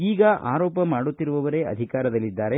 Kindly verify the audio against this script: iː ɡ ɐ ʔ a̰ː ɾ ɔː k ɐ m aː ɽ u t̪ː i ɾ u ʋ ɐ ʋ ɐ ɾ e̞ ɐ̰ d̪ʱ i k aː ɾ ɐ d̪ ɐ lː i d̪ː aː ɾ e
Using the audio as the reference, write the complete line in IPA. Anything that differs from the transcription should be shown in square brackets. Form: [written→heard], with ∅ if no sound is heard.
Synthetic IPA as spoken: iː ɡ ɐ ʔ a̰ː ɾ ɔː [k→p] ɐ m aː ɽ u t̪ː i ɾ u ʋ ɐ ʋ ɐ ɾ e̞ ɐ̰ d̪ʱ i k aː ɾ ɐ d̪ ɐ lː i d̪ː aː ɾ e